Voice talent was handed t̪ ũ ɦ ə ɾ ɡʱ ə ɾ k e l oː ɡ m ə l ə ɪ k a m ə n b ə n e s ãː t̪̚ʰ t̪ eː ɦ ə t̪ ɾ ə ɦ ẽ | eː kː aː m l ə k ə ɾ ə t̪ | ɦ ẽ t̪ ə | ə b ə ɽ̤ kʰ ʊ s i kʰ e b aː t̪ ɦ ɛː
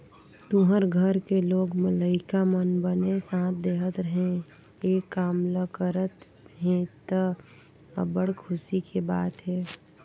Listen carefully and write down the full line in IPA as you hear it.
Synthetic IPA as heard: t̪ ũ ɦ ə ɾ ɡʱ ə ɾ k e l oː ɡ m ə l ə ɪ k a m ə n b ə n e s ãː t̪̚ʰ d̪ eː ɦ ə t̪ ɾ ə ɦ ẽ | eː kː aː m l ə k ə ɾ ə t̪ | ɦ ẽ t̪ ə | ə b ə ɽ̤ kʰ ʊ s i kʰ e b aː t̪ ɦ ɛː

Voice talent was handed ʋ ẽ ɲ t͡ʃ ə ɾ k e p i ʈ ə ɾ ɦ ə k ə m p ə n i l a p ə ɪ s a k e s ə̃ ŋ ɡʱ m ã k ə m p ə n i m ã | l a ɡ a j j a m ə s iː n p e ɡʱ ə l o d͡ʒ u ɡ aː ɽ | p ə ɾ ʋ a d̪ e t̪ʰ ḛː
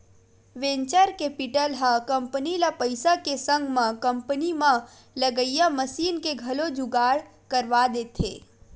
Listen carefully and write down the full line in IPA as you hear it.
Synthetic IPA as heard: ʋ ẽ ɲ t͡ʃ ə ɾ k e p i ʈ ə l ɦ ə k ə m p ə n i l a p ə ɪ s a k e s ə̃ ŋ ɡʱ m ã k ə m p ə n i m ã | l ə ɡ ə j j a m ə s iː n k e ɡʱ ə l o d͡ʒ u ɡ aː ɽ | k ə ɾ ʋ a d̪ e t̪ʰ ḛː

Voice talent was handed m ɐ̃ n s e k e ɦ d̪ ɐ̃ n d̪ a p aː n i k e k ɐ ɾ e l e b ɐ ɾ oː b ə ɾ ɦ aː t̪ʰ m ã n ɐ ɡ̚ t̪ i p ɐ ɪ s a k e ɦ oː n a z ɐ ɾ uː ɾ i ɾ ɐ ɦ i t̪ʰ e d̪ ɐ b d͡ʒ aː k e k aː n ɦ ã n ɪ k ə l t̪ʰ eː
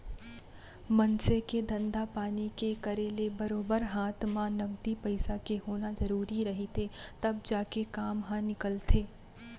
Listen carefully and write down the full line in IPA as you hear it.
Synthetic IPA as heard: m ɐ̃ n s e k e d̪ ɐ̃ n d̪ a p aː n i k e k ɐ ɾ e l e b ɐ ɾ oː b ə ɾ ɦ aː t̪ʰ m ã n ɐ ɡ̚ d̪ i p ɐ ɪ s a k e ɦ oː n a z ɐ ɾ uː ɾ i ɾ ɐ ɦ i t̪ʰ e t̪ ɐ b d͡ʒ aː k e k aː m ɦ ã n ɪ k ə l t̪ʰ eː

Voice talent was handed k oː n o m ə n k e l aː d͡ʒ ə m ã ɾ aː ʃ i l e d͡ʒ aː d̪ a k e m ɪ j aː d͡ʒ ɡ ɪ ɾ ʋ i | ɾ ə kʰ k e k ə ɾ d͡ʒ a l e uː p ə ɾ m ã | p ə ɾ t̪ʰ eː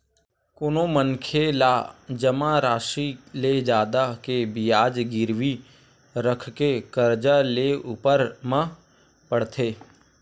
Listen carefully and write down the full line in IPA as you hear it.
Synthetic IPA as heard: k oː n o m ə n kʰ e l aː d͡ʒ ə m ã ɾ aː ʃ i l e d͡ʒ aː d̪ a k e b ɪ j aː d͡ʒ ɡ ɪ ɾ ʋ i | ɾ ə kʰ k e k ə ɾ d͡ʒ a l e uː p ə ɾ m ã | p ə ɽ t̪ʰ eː

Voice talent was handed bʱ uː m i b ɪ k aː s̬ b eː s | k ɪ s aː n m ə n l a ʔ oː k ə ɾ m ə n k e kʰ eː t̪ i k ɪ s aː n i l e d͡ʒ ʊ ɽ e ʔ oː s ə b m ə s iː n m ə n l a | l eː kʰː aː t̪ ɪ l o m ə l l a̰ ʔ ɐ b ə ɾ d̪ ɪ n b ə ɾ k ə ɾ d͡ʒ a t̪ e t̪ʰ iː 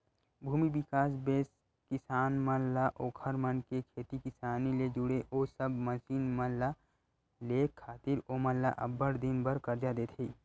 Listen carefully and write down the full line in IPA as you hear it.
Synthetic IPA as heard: bʱ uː m i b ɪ k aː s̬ b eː s | k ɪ s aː n m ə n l a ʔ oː kʰ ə ɾ m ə n k e kʰ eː t̪ i k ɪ s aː n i l e d͡ʒ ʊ ɽ e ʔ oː s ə b m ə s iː n m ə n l a | l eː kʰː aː t̪ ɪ ɾ o m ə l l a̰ ʔ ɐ b ə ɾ d̪ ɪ n b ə ɾ k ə ɾ d͡ʒ a d̪ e t̪ʰ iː

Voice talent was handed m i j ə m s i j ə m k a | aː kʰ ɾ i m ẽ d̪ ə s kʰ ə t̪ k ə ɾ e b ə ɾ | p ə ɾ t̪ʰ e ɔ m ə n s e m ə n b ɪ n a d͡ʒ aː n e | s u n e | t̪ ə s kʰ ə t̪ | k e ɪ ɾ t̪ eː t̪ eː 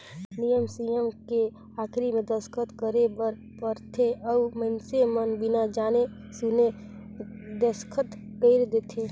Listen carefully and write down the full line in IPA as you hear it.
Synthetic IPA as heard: n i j ə m s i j ə m k e | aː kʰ ɾ i m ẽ d̪ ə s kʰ ə t̪ k ə ɾ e b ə ɾ | p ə ɾ t̪ʰ e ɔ m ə n s e m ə n b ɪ n a d͡ʒ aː n e | s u n e | d̪ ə s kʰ ə t̪ | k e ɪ ɾ d̪ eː t̪ʰ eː

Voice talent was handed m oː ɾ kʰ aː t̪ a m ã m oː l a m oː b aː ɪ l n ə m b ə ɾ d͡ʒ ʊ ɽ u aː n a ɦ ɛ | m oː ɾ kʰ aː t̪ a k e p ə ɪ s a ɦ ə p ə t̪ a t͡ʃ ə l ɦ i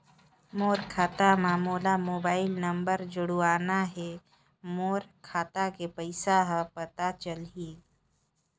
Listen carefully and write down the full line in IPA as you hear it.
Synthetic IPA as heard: m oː ɾ kʰ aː t̪ a m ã m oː l a m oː b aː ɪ l n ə m b ə ɾ d͡ʒ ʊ ɽ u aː n a ɦ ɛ | m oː ɾ kʰ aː t̪ a k e p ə ɪ s a ɦ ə p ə t̪ a t͡ʃ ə l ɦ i

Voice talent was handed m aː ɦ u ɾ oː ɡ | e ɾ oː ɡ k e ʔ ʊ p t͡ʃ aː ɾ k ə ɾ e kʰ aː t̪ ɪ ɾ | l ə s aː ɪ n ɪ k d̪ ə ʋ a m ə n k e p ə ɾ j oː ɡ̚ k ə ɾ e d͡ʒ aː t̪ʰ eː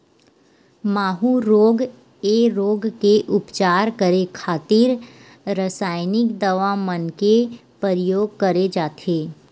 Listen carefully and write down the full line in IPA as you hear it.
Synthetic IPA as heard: m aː ɦ u ɾ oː ɡ | e ɾ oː ɡ k e ʔ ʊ p t͡ʃ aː ɾ k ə ɾ e kʰ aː t̪ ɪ ɾ | ɾ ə s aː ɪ n ɪ k d̪ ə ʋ a m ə n k e p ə ɾ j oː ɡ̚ k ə ɾ e d͡ʒ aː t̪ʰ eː

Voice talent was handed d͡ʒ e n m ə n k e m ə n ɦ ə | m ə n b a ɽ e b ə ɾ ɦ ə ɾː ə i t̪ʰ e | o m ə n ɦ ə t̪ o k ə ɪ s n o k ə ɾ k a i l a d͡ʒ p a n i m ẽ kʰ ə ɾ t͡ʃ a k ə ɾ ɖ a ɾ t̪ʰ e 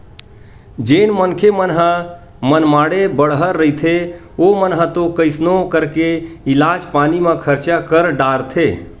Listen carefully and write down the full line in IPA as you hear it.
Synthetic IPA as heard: d͡ʒ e n m ə n kʰ e m ə n ɦ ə | m ə n m a ɽ e b ə ɽ ɦ ə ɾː ə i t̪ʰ e | o m ə n ɦ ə t̪ o k ə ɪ s n o k ə ɾ k e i l a d͡ʒ p a n i m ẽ kʰ ə ɾ t͡ʃ a k ə ɾ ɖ a ɾ t̪ʰ e

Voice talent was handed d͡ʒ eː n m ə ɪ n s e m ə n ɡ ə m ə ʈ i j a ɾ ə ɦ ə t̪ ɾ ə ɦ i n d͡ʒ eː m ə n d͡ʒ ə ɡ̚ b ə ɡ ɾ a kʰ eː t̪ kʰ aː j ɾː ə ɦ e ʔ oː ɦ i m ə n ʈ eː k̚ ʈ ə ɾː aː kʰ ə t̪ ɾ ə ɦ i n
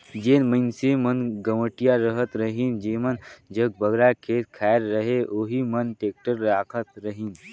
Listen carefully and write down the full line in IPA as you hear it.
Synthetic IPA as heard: d͡ʒ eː n m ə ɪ n s e m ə n ɡ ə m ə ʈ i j a ɾ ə ɦ ə t̪ ɾ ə ɦ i n d͡ʒ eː m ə n d͡ʒ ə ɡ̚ b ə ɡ ɾ a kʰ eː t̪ kʰ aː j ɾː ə ɦ e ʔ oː ɦ i m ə n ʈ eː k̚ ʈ ə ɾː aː kʰ ə t̪ ɾ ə ɦ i n

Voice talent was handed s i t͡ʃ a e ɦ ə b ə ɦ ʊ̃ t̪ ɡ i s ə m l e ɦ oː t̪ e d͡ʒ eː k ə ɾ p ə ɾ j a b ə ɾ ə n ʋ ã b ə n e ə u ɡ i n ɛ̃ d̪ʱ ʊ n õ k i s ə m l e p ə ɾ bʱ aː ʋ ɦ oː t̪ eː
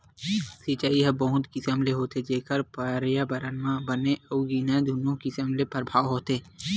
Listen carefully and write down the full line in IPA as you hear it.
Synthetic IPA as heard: s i t͡ʃ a i ɦ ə b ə ɦ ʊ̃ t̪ k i s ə m l e ɦ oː t̪ e d͡ʒ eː k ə ɾ p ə ɾ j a b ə ɾ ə n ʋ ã b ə n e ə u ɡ i n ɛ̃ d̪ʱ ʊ n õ k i s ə m l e p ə ɾ bʱ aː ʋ ɦ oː t̪ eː

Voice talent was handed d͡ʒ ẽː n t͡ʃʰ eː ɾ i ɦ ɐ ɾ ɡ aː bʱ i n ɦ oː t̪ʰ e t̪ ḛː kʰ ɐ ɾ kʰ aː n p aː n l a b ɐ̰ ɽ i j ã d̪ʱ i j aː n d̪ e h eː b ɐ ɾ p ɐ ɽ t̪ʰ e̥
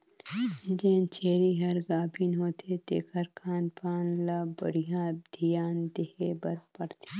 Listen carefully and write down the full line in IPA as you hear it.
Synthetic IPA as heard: d͡ʒ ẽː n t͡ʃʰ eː ɾ i ɦ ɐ ɾ ɡ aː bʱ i n ɦ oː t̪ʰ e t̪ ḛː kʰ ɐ ɾ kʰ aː n p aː n l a b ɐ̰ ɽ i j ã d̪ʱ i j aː n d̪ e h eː b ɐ ɾ p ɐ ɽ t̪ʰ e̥

